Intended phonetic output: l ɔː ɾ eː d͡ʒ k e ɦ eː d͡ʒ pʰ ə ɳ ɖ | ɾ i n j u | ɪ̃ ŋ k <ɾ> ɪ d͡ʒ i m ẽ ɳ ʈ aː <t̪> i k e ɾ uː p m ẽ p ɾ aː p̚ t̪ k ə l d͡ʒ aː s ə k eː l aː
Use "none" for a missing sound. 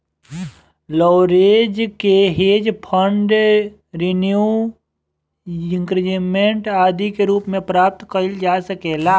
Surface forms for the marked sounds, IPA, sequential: ɾ, d̪

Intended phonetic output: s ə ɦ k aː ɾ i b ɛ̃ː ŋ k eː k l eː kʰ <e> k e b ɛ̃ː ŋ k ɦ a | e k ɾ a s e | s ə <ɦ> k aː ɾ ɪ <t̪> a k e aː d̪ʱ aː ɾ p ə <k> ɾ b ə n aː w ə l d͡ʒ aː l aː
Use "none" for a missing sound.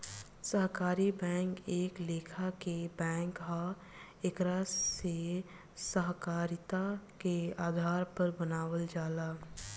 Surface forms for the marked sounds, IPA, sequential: a, ɦ, t̪, none

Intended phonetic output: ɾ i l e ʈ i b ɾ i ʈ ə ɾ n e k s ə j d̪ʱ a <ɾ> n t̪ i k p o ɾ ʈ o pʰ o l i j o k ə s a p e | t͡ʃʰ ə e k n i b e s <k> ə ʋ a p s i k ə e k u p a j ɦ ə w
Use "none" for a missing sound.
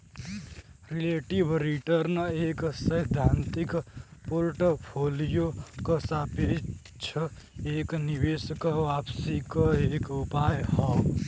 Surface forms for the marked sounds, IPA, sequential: none, k

